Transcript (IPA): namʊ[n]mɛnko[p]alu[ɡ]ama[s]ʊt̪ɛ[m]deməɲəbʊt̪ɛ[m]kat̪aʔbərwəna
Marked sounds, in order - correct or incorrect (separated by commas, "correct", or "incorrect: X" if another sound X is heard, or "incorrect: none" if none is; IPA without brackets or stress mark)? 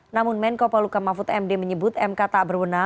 correct, correct, incorrect: k, incorrect: f, correct, correct